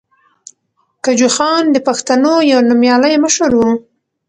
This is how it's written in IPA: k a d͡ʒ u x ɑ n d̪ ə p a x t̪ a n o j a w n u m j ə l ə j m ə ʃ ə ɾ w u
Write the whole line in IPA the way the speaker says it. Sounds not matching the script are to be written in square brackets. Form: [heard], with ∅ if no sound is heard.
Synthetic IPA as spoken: k a d͡ʒ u x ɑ n d̪ ə p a x t̪ a n o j a w n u m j [ɑ] l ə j m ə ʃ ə ɾ w u